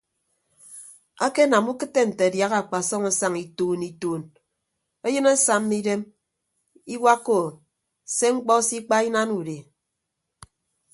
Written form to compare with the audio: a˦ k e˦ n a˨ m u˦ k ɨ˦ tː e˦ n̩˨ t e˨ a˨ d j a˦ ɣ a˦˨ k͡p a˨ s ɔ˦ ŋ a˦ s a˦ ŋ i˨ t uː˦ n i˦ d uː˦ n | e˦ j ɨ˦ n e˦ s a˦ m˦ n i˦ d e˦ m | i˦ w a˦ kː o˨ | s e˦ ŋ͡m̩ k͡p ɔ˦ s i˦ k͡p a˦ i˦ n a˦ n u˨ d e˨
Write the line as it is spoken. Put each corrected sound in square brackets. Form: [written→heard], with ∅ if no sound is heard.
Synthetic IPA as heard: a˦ k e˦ n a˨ m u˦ k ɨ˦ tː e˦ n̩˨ t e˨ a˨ d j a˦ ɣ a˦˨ k͡p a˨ s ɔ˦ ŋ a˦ s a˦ ŋ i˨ t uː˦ n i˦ [d→t] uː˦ n | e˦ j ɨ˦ n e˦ s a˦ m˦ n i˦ d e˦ m | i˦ w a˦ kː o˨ | s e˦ ŋ͡m̩ k͡p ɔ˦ s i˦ k͡p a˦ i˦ n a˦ n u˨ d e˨